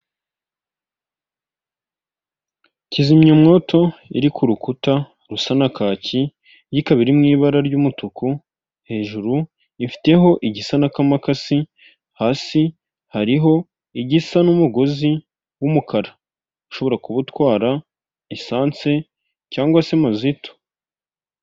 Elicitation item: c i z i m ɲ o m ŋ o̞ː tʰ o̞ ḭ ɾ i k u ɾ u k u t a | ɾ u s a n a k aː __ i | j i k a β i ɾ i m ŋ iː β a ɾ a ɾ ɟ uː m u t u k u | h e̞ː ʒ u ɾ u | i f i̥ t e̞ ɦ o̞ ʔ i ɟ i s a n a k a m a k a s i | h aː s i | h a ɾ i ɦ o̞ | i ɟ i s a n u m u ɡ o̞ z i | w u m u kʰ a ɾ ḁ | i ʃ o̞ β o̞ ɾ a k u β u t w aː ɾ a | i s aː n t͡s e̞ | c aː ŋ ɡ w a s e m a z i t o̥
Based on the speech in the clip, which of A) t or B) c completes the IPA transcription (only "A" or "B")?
B